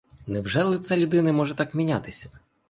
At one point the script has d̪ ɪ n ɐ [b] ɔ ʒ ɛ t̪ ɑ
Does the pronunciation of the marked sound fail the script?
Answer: yes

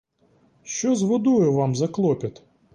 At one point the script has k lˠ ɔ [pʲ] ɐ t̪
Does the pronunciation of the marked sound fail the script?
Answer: no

